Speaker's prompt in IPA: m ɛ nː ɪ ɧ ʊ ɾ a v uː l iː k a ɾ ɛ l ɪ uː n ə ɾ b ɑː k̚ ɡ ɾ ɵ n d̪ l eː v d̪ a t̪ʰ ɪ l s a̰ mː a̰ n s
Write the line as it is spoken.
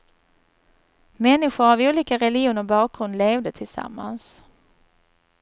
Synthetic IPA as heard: m ɛ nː ɪ ɧ ʊ ɾ a v uː l iː k a ɾ ɛ l ɪ uː n ə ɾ b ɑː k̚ ɡ ɾ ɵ n d̪ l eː v d̪ ə t̪ʰ ɪ l s a̰ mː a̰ n s

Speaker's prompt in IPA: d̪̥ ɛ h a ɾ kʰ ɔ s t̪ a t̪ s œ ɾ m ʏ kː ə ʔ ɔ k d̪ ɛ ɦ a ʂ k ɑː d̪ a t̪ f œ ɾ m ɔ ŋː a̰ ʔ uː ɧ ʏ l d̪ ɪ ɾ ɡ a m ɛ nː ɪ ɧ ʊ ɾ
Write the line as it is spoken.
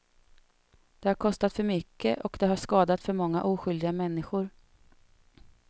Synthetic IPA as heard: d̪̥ ɛ h a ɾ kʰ ɔ s t̪ a t̪ f œ ɾ m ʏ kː ə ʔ ɔ k d̪ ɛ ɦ a ʂ k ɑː d̪ a t̪ f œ ɾ m ɔ ŋː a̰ ʔ uː ɧ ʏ l d̪ ɪ ɡ a m ɛ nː ɪ ɧ ʊ ɾ

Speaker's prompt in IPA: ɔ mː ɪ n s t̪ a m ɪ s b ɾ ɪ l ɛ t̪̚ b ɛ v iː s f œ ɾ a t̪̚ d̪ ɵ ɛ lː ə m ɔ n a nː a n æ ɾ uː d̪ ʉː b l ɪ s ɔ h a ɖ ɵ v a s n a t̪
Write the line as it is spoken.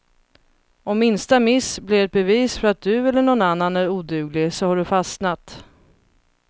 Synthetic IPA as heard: ɔ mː ɪ n s t̪ a m ɪ s b l ɪ ɾ ɛ t̪̚ b ɛ v iː s f œ ɾ a t̪̚ d̪ ɵ ɛ lː ə ɳ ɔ n a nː a n æ ɾ uː d̪ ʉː ɡ l ɪ s ɔ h a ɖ ɵ f a s n a t̪

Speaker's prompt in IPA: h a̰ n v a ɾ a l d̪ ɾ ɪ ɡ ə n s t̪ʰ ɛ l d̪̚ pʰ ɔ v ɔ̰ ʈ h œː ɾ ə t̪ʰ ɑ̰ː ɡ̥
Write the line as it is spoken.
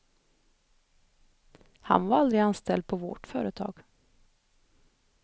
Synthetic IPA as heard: h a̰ n v a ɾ a l d̪ ɾ ɪ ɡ a n s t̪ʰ ɛ l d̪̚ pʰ ɔ v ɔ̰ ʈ f œː ɾ ə t̪ʰ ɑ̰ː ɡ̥

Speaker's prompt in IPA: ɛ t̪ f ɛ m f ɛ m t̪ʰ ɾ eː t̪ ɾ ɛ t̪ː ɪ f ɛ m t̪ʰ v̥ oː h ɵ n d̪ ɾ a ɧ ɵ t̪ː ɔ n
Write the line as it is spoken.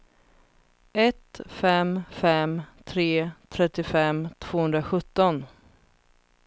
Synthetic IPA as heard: ɛ t̪ f ɛ m f ɛ m t̪ʰ ɾ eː t̪ʰ ɾ ɛ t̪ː ɪ f ɛ m t̪ʰ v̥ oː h ɵ n d̪ ɾ a ɧ ɵ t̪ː ɔ n

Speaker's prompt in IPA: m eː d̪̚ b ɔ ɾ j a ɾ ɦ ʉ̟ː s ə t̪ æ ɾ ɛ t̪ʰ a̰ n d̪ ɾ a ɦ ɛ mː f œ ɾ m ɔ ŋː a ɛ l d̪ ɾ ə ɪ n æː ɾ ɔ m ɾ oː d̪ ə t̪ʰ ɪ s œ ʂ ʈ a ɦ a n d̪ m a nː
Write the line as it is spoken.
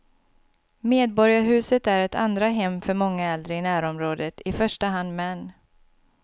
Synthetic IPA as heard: m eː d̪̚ b ɔ ɾ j a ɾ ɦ ʉ̟ː s ə t̪ æ ɾ ɛ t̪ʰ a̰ n d̪ ɾ a ɦ ɛ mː f œ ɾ m ɔ ŋː a ɛ l d̪ ɾ ə ɪ n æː ɾ ɔ m ɾ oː d̪ ə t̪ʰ ɪ f œ ʂ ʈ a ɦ a n d̪ m ɛ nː

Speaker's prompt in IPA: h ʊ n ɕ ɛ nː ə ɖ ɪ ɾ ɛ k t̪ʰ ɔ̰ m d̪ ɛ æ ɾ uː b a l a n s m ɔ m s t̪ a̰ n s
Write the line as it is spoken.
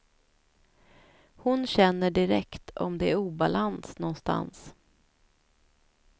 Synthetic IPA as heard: h ʊ n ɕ ɛ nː ə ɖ ɪ ɾ ɛ k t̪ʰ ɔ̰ m d̪ ɛ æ ɾ uː b a l a n s n ɔ n s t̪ a̰ n s

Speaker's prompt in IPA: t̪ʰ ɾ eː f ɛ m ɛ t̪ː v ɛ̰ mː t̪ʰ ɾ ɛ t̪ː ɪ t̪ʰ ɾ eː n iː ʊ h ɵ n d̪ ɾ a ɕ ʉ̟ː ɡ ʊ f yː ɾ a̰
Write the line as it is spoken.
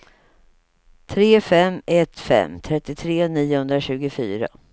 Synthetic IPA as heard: t̪ʰ ɾ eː f ɛ m ɛ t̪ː f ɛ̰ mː t̪ʰ ɾ ɛ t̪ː ɪ t̪ʰ ɾ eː n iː ʊ h ɵ n d̪ ɾ a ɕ ʉ̟ː ɡ ʊ f yː ɾ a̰

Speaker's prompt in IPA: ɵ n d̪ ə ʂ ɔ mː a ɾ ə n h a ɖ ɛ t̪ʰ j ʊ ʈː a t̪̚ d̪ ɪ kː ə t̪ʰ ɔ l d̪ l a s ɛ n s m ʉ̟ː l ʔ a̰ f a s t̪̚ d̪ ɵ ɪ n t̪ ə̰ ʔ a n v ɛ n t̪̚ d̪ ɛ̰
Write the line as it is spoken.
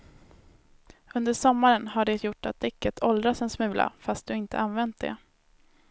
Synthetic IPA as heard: ɵ n d̪ ə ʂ ɔ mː a ɾ ə n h a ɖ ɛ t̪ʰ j ʊ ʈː a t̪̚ d̪ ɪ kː ə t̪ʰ ɔ l d̪ ɾ a s ɛ n s m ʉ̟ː l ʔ a̰ f a s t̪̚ d̪ ɵ ɪ n t̪ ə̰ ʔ a n v ɛ n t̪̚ d̪ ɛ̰

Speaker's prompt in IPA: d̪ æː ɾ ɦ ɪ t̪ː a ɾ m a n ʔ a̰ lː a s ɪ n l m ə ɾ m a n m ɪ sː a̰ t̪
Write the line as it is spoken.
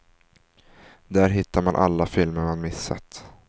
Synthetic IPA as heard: d̪ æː ɾ ɦ ɪ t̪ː a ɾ m a n ʔ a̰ lː a f ɪ l m ə ɾ m a n m ɪ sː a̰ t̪

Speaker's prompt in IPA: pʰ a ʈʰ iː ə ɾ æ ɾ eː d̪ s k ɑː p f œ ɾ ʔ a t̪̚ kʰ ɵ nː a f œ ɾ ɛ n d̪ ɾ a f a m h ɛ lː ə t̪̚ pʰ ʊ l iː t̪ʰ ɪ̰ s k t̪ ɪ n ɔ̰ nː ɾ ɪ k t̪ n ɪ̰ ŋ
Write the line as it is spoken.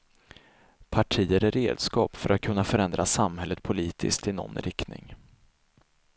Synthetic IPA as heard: pʰ a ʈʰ iː ə ɾ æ ɾ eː d̪ s k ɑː p f œ ɾ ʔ a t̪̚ kʰ ɵ nː a f œ ɾ ɛ n d̪ ɾ a s a m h ɛ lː ə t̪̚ pʰ ʊ l iː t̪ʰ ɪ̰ s k t̪ ɪ n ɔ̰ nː ɾ ɪ k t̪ n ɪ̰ ŋ

